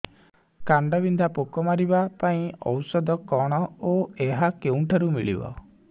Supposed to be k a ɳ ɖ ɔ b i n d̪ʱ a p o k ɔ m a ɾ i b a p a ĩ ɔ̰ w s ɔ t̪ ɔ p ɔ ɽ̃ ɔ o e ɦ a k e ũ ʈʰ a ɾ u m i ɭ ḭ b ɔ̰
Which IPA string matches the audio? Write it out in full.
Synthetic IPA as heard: k a ɳ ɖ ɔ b i n d̪ʱ a p o k ɔ m a ɾ i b a p a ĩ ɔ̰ w s ɔ d̪ ɔ k ɔ ɽ̃ ɔ o e ɦ a k e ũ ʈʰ a ɾ u m i ɭ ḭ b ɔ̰